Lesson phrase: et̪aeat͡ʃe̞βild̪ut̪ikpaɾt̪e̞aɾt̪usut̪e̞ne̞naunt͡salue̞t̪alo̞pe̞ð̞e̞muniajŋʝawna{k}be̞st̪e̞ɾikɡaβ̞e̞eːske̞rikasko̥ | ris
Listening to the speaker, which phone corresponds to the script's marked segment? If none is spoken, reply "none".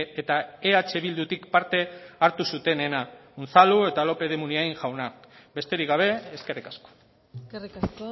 k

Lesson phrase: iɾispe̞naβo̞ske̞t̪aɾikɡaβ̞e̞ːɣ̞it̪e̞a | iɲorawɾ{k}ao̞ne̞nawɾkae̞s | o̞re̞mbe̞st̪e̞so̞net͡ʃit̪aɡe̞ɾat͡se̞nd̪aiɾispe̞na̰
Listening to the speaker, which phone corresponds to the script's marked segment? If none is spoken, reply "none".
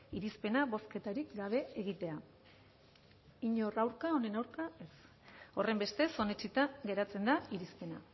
k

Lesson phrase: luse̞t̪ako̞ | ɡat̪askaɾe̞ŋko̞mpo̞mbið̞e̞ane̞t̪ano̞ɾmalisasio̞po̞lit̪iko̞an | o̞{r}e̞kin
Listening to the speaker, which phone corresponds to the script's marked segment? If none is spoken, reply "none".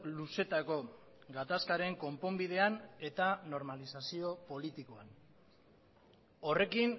r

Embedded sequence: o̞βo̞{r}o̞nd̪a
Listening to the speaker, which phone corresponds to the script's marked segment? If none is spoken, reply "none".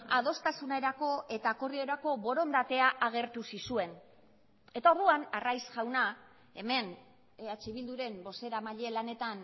ɾ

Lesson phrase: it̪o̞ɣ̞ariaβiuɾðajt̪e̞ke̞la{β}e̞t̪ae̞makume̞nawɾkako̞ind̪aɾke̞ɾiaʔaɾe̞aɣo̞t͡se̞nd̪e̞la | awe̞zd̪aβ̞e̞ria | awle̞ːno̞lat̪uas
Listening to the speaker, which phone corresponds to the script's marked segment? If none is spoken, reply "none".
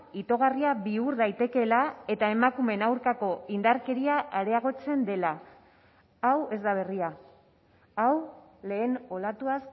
none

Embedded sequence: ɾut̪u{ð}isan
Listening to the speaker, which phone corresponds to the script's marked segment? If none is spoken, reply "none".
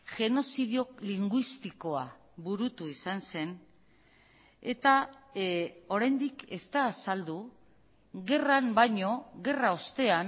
none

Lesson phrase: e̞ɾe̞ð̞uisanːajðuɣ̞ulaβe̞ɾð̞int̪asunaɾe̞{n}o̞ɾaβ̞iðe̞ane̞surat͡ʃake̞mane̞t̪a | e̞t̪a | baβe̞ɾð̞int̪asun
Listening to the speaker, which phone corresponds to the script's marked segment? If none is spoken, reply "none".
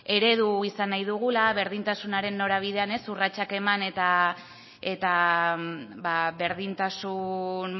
nː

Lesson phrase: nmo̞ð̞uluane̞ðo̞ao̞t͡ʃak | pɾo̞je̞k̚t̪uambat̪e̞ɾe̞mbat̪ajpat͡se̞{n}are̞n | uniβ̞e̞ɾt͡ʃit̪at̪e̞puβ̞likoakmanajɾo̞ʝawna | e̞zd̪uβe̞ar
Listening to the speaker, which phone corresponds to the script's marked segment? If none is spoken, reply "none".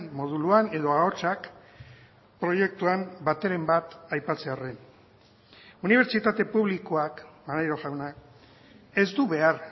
none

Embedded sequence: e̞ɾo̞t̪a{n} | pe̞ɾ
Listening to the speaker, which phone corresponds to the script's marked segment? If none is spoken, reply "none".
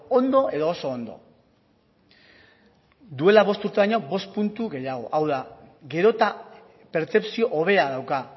none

